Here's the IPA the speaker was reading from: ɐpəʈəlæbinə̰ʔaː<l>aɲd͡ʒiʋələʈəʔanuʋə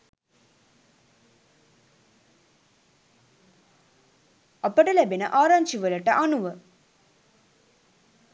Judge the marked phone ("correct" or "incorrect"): incorrect